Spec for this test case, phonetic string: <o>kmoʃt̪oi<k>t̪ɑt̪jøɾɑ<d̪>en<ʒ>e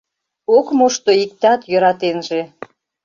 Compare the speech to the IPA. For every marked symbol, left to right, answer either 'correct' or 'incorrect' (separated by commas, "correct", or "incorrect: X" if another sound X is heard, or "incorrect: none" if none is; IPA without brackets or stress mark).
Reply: correct, correct, incorrect: t̪, correct